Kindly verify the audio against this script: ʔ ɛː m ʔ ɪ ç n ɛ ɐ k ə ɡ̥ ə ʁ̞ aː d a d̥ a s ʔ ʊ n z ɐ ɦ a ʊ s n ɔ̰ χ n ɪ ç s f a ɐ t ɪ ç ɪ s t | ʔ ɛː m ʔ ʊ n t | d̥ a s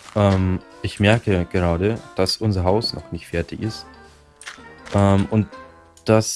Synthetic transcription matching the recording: ʔ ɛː m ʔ ɪ ç m ɛ ɐ k ə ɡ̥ ə ʁ̞ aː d ə d̥ a s ʔ ʊ n z ɐ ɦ a ʊ s n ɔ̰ χ n ɪ ç t f ɛ ɐ t ɪ ç ɪ s t | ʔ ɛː m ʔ ʊ n t | d̥ a s

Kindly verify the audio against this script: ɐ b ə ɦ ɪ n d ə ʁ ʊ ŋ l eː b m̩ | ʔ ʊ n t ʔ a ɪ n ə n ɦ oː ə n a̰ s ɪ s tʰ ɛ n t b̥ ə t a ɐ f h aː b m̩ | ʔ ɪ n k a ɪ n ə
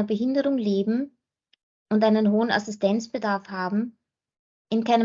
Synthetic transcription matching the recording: ɐ b ə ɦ ɪ n d ə ʁ ʊ ŋ l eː b m̩ | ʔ ʊ n t ʔ a ɪ n ə n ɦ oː ə n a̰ s ɪ s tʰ ɛ n t͡s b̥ ə d a ɐ f h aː b m̩ | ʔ ɪ n k a ɪ n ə

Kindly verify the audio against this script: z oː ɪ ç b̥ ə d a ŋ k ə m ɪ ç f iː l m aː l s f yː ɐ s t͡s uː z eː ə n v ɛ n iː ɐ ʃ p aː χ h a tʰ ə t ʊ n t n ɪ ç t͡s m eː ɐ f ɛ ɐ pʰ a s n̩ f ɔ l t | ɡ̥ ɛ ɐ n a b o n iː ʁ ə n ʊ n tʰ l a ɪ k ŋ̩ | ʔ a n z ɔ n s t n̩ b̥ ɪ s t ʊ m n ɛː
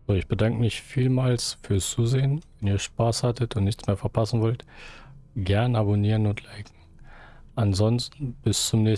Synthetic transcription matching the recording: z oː ɪ ç b̥ ə d a ŋ k ə m ɪ ç f iː l m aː l s f yː ɐ s t͡s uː z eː ə n v ɛ n iː ɐ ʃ p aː s h a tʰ ə t ʊ n t n ɪ ç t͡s m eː ɐ f ɛ ɐ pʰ a s n̩ v ɔ l t | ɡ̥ ɛ ɐ n a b o n iː ʁ ə n ʊ n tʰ l a ɪ k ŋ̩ | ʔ a n z ɔ n s t n̩ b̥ ɪ s t͡s ʊ m n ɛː

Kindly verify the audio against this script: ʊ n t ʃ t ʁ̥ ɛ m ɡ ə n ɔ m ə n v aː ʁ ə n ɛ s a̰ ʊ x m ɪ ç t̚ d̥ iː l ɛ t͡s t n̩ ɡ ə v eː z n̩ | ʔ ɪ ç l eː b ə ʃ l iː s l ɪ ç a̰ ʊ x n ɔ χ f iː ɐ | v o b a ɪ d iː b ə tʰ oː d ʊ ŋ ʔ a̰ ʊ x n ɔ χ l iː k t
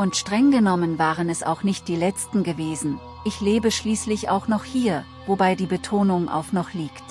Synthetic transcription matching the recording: ʊ n t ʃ t ʁ̥ ɛ ŋ ɡ ə n ɔ m ə n v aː ʁ ə n ɛ s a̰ ʊ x n ɪ ç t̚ d̥ iː l ɛ t͡s t n̩ ɡ ə v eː z n̩ | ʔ ɪ ç l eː b ə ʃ l iː s l ɪ ç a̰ ʊ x n ɔ χ h iː ɐ | v o b a ɪ d iː b ə tʰ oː n ʊ ŋ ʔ a̰ ʊ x n ɔ χ l iː k t

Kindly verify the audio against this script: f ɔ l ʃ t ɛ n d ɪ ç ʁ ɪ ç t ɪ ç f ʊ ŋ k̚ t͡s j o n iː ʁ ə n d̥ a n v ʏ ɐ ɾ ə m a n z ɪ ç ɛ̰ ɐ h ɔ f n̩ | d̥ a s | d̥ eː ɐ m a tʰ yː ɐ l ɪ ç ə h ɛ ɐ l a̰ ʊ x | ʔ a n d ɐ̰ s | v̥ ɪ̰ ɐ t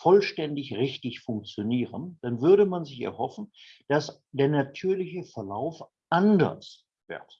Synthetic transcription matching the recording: f ɔ l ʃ t ɛ n d ɪ ç ʁ ɪ ç t ɪ ç f ʊ ŋ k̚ t͡s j o n iː ʁ ə n d̥ a n v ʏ ɐ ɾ ə m a n z ɪ ç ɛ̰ ɐ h ɔ f n̩ | d̥ a s | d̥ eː ɐ n a tʰ yː ɐ l ɪ ç ə f ɛ ɐ l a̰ ʊ f | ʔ a n d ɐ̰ s | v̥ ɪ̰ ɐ t

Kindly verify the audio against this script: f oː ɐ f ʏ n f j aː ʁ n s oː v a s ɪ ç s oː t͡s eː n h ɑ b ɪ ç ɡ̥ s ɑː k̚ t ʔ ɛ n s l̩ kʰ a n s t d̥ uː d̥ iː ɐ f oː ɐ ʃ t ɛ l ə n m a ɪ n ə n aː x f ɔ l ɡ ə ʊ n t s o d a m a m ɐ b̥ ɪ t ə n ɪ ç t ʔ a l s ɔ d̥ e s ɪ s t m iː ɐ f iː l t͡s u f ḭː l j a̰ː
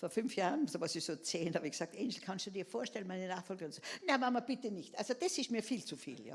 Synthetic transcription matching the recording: f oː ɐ f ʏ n f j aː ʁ n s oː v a s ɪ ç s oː t͡s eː n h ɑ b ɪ ç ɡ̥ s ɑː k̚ t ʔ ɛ n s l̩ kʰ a n s t d̥ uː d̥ iː ɐ f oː ɐ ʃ t ɛ l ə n m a ɪ n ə n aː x f ɔ l ɡ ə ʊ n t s o n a m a m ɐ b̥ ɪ t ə n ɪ ç t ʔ a l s o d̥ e s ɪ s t m iː ɐ f iː l t͡s u f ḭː l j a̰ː

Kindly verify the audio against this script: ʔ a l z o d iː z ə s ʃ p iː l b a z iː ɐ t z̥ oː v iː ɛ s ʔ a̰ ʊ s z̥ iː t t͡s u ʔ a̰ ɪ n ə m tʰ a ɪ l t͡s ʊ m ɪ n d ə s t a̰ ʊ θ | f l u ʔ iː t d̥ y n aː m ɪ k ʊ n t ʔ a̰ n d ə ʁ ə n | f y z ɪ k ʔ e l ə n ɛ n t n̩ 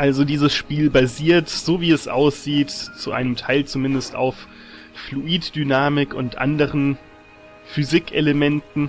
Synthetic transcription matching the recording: ʔ a l z o d iː z ə s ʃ p iː l b a z iː ɐ t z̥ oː v iː ɛ s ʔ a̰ ʊ s z̥ iː t t͡s u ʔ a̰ ɪ n ə m tʰ a ɪ l t͡s u m ɪ n d ə s t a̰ ʊ f | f l u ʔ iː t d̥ y n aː m ɪ k ʊ n t ʔ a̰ n d ə ʁ ə n | f y z ɪ k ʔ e l ə m ɛ n t n̩

